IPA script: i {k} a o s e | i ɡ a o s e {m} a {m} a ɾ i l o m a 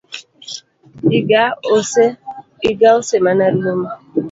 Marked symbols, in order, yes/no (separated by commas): no, yes, no